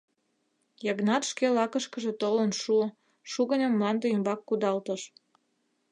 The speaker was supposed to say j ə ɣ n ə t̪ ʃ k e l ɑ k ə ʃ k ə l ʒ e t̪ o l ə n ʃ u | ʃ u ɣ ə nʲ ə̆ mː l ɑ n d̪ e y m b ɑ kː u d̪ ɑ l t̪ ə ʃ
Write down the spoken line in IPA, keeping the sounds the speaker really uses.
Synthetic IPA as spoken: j ɑ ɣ n ɑ t̪ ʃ k e l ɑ k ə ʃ k ə ʒ e t̪ o l ə n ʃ u | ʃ u ɣ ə nʲ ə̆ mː l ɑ n d̪ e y m b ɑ kː u d̪ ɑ l t̪ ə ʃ